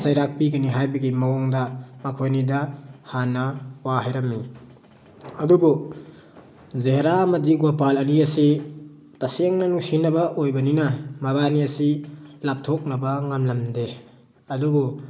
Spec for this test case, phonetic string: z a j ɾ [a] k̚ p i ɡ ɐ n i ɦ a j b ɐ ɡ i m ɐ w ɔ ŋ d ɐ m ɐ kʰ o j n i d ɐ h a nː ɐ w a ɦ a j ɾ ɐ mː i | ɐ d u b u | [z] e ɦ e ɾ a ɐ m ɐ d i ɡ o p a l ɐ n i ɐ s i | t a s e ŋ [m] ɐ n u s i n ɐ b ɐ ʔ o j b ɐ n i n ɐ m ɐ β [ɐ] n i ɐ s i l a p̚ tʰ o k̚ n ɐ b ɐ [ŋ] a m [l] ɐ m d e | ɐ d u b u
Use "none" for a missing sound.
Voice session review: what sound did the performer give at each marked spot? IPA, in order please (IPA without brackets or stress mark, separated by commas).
a, z, n, a, ŋ, l